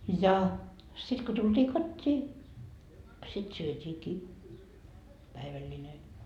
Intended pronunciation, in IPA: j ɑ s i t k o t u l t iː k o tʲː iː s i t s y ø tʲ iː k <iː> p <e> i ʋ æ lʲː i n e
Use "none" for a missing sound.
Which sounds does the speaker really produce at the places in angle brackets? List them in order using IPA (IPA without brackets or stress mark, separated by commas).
iː, æ